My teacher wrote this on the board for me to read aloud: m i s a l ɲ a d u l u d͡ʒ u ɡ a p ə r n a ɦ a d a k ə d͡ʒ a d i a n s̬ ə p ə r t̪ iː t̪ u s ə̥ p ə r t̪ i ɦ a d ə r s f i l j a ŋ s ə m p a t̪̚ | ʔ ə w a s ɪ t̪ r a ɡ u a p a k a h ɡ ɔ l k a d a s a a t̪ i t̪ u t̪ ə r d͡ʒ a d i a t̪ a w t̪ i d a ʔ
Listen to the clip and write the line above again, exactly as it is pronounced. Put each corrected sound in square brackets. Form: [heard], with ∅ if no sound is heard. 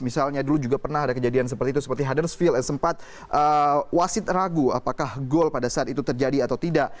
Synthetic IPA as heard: m i s a l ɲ a d u l u d͡ʒ u ɡ a p ə r n a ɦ a d a k ə d͡ʒ a d i a n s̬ ə p ə r t̪ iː t̪ u s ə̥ p ə r t̪ i ɦ a d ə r s f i l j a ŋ s ə m p a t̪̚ | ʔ ə w a s ɪ t̪ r a ɡ u a p a k a h ɡ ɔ l [p] a d a s a a t̪ i t̪ u t̪ ə r d͡ʒ a d i a t̪ a w t̪ i d a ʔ